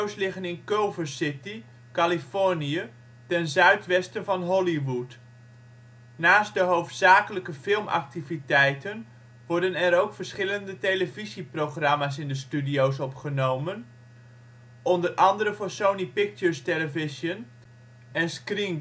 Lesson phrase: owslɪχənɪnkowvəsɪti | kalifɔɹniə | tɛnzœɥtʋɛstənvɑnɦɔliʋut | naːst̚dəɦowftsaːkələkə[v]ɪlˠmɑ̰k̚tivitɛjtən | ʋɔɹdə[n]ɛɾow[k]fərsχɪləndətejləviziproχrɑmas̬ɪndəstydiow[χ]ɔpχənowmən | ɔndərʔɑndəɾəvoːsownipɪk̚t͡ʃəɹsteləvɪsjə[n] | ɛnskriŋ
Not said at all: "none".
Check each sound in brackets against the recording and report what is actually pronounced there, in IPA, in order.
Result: f, n, k, s, n

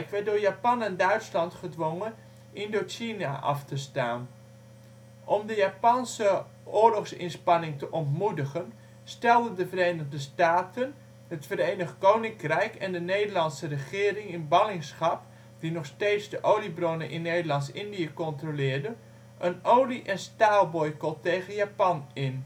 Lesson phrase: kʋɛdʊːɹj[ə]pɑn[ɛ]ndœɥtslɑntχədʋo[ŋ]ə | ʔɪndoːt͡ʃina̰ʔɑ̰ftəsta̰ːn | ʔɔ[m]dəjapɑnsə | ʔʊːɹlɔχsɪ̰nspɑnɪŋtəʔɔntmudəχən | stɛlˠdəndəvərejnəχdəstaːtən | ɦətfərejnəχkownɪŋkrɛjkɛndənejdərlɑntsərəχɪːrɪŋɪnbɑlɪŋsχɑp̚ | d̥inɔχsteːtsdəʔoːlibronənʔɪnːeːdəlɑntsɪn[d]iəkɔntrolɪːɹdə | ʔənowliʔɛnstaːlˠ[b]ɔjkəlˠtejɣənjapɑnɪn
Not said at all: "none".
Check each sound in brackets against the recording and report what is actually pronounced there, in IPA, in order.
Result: a, ɛ, ŋ, m, d, b

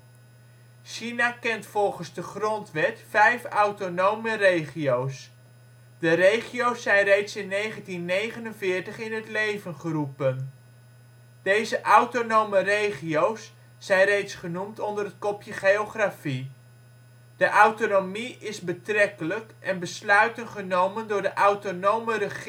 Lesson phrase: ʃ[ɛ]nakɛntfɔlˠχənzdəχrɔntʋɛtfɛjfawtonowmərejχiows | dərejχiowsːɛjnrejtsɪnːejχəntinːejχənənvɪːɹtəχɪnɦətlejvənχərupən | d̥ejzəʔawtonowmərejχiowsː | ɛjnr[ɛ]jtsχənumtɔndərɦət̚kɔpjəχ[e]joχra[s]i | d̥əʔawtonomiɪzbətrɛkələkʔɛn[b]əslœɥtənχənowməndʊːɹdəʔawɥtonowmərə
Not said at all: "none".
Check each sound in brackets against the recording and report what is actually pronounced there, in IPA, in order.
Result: i, e, e, f, b

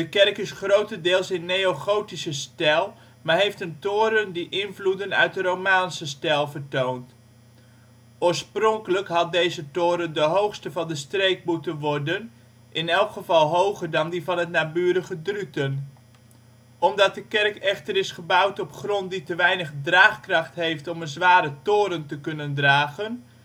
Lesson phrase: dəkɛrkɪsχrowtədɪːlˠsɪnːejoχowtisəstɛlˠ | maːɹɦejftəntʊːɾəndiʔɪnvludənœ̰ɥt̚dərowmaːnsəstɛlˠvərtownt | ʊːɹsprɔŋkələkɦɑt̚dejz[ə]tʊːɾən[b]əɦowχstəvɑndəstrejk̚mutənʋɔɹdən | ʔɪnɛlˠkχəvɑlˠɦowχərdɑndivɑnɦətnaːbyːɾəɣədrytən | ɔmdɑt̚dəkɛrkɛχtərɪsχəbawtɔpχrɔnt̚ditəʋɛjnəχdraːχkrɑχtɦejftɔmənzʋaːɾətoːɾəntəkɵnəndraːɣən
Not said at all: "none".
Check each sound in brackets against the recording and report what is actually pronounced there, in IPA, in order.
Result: ə, d

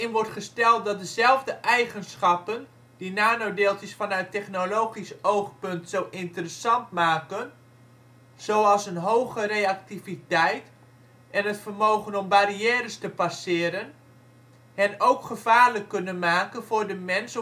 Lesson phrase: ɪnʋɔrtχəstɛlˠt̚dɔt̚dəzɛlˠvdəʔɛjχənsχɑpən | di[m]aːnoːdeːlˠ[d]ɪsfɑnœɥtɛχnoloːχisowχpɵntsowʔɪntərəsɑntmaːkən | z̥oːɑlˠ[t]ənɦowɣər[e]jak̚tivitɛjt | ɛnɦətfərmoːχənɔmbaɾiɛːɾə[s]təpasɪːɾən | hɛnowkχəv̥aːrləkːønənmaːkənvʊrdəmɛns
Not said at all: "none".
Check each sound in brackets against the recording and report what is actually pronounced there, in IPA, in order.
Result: n, t, s, e, s

